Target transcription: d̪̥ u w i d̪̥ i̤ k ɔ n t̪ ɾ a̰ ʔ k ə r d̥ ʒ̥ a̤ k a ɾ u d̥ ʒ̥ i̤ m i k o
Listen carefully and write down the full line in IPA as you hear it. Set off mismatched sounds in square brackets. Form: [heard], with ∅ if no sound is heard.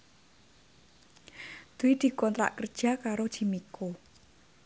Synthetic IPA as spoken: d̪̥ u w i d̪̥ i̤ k ɔ n t̪ ɾ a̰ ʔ k ə r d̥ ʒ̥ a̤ k a ɾ [o] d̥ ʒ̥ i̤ m i k o